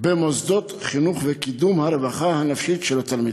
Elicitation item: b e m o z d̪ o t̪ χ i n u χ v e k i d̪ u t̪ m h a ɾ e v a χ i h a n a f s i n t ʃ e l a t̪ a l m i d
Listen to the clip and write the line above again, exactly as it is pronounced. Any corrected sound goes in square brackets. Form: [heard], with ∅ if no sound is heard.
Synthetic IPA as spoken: b e m o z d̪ o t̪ χ i n u χ v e k i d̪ u [∅] m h a ɾ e v a χ [a] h a n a f [ʃ] i [∅] t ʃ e l a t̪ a l m i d